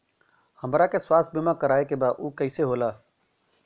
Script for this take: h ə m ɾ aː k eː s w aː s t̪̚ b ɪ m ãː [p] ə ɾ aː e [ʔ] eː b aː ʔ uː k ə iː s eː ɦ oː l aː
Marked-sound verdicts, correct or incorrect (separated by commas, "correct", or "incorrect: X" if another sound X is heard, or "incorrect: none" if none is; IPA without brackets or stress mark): incorrect: k, incorrect: k